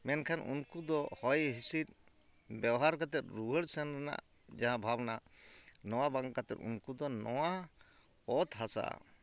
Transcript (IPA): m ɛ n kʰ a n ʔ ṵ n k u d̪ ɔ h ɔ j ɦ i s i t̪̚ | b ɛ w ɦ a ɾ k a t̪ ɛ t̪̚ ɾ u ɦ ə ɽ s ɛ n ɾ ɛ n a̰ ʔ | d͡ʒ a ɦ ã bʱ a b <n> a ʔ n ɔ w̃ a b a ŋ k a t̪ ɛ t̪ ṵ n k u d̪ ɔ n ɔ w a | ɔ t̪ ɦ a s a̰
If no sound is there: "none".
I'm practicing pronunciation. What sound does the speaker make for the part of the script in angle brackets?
n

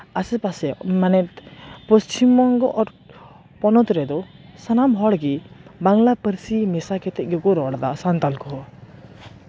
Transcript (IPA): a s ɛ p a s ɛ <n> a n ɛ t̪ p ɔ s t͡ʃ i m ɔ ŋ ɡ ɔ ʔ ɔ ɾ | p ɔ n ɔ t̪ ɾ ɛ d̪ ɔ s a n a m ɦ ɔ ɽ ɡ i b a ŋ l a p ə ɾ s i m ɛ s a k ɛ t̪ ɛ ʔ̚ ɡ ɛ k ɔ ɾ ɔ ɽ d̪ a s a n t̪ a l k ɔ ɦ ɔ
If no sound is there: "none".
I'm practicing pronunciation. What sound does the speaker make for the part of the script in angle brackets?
m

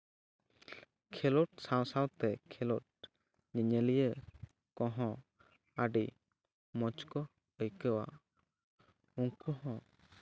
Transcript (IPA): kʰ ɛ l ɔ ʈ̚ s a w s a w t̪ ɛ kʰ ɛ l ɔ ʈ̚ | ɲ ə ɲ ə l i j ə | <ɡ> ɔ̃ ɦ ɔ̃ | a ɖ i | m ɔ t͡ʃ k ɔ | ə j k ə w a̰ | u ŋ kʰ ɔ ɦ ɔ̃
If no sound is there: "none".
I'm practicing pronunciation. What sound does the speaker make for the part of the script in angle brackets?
k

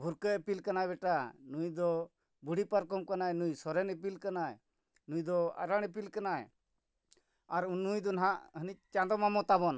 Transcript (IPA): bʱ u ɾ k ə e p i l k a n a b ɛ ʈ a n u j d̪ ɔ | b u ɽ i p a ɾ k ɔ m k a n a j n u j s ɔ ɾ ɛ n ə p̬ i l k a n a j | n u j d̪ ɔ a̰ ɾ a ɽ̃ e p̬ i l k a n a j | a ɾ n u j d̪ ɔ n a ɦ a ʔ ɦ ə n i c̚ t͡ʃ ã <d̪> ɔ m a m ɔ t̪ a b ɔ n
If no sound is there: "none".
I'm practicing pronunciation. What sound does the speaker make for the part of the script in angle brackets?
d̪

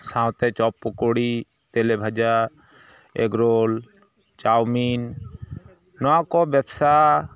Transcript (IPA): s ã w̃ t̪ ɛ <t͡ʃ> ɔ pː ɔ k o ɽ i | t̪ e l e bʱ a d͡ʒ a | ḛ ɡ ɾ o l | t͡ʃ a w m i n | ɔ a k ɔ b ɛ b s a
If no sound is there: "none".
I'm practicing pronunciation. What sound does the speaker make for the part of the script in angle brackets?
t͡ʃ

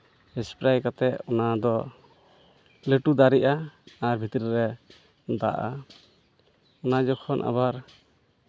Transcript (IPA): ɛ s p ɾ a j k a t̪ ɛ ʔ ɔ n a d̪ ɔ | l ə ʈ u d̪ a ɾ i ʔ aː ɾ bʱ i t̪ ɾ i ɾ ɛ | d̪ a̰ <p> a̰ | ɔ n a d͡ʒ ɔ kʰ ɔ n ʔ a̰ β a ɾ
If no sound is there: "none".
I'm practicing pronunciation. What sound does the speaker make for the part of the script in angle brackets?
ʔ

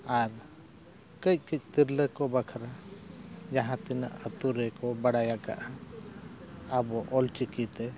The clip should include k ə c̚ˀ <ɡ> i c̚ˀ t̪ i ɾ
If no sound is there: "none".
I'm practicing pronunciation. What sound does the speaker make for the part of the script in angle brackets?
k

